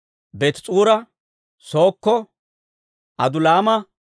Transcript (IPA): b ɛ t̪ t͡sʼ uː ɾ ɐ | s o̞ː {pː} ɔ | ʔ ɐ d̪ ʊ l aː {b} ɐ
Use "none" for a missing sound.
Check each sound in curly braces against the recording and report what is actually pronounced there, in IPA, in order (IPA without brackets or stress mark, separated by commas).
kː, m